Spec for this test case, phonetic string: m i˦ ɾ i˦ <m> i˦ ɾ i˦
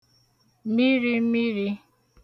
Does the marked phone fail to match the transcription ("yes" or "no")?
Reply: no